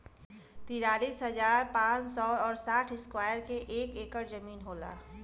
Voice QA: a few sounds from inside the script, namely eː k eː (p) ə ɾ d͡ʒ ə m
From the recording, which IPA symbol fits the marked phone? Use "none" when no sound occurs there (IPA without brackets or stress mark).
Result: k